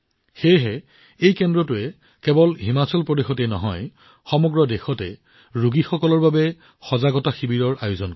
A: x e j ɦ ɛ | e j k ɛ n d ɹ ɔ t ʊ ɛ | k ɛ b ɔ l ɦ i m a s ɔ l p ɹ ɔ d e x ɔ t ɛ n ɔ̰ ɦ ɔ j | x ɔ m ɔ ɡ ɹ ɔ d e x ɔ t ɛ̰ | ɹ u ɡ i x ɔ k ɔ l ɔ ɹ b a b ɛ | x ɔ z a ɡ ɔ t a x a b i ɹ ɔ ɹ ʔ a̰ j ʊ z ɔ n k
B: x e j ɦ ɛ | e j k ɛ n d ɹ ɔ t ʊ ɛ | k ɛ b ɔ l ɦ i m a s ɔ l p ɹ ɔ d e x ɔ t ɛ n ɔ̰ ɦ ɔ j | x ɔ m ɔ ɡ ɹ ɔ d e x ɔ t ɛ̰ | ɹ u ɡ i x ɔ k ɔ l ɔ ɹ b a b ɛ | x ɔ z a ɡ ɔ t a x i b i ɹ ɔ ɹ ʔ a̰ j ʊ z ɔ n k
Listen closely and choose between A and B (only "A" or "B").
B